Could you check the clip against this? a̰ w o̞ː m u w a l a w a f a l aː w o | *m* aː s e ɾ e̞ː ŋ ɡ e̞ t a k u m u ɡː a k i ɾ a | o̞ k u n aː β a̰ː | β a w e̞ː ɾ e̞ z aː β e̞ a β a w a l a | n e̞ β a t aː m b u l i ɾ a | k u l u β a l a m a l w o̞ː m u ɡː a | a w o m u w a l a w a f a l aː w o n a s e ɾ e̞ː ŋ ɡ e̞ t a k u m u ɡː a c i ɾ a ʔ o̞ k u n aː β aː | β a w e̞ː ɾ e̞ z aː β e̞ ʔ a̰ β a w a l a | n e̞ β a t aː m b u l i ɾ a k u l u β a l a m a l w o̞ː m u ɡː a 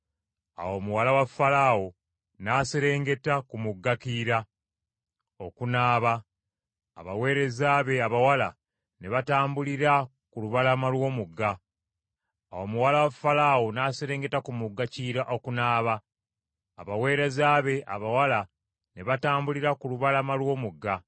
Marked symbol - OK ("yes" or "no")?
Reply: no